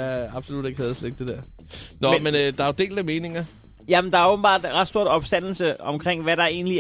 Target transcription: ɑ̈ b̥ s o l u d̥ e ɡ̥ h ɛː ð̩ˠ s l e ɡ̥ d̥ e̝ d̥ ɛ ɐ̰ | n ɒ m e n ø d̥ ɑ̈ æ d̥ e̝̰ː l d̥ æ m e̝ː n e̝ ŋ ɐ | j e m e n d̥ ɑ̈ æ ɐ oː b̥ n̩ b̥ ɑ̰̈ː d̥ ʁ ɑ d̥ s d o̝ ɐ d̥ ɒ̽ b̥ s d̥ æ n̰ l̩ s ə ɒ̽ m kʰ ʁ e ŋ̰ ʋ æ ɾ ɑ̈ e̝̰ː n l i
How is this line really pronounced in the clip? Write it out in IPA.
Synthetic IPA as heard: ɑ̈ b̥ s o l u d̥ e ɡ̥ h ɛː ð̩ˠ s l e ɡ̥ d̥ e̝ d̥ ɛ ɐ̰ | n ɒ m e n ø d̥ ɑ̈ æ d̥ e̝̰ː l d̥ æ m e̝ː n e̝ ŋ ɐ | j æ m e n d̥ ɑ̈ æ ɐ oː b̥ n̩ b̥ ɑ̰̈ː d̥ ʁ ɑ d̥ s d o̝ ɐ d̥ ɒ̽ b̥ s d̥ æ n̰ l̩ s ə ɒ̽ m kʰ ʁ e ŋ̰ ʋ æ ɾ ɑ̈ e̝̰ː n l i